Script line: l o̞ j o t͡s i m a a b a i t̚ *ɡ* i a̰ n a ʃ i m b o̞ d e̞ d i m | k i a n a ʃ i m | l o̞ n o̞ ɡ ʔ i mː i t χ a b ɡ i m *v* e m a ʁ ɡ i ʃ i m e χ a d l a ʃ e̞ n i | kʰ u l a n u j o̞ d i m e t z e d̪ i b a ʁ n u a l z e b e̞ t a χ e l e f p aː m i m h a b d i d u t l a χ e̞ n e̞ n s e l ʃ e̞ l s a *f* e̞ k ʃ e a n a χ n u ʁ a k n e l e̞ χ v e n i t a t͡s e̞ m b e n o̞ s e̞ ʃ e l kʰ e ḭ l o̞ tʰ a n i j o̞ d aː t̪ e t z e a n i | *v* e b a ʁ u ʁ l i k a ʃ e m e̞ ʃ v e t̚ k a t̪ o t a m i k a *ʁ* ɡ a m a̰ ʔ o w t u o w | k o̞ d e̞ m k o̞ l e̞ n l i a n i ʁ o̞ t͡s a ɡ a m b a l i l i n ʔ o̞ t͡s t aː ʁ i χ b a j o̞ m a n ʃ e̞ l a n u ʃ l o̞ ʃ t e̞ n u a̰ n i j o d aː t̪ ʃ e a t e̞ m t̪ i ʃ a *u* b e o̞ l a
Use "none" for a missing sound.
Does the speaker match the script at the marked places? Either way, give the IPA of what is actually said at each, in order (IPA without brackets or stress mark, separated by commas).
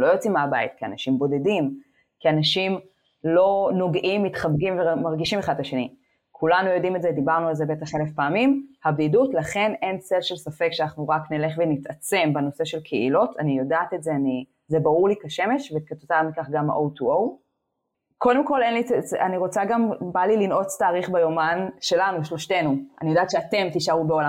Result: k, v, f, z, χ, u